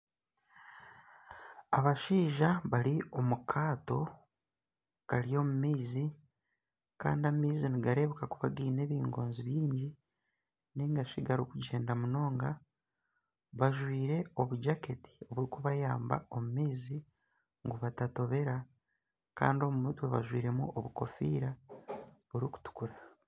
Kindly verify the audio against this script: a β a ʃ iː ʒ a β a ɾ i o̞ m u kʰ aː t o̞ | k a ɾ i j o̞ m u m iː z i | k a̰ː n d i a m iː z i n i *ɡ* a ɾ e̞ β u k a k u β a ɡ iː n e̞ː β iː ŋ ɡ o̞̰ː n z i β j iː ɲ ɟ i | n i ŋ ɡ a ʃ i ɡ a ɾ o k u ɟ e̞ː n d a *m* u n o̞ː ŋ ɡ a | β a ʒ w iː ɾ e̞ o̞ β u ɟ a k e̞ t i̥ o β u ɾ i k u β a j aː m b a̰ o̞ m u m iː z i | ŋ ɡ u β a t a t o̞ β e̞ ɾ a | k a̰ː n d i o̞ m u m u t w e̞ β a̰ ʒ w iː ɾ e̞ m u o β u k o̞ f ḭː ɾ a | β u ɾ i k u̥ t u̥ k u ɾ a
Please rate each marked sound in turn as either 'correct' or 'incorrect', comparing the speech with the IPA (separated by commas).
correct, correct